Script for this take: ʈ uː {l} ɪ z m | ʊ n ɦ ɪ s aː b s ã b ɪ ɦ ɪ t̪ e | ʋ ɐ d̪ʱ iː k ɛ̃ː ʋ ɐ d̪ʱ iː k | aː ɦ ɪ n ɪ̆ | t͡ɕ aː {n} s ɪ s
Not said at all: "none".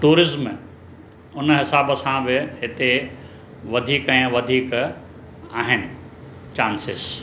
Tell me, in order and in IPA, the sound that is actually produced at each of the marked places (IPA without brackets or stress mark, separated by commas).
ɾ, n